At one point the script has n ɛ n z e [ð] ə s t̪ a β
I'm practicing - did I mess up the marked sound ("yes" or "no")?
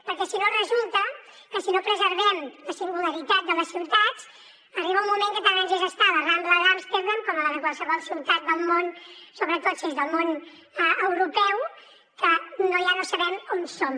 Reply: yes